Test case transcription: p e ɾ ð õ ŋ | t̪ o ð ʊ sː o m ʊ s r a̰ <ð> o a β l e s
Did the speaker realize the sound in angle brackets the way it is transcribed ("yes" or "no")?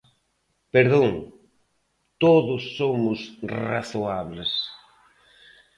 no